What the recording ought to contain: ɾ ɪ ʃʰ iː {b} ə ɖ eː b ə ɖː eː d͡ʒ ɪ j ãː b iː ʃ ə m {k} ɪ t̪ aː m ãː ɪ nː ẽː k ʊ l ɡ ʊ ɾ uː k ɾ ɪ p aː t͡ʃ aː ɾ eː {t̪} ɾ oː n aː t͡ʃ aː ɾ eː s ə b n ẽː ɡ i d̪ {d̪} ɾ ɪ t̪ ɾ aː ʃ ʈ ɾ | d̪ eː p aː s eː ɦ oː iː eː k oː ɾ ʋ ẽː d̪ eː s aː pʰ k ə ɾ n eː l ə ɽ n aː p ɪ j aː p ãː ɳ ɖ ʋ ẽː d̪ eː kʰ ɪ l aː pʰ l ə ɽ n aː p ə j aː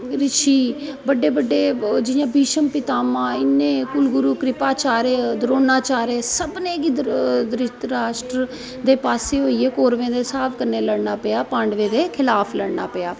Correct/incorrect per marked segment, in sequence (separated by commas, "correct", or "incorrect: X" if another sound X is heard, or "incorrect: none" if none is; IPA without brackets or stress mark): correct, incorrect: p, incorrect: d̪, correct